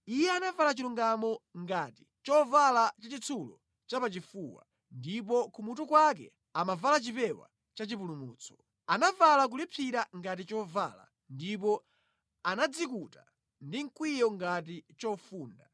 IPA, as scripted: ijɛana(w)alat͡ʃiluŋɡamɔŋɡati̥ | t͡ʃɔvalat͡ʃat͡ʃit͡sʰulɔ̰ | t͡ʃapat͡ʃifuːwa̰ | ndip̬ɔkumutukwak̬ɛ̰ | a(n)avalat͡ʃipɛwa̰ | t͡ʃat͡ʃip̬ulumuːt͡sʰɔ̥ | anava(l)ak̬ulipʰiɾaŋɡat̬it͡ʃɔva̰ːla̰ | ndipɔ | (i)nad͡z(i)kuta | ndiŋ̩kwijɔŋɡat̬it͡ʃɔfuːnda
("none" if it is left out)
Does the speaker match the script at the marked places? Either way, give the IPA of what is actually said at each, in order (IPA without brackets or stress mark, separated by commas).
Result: v, m, l, a, i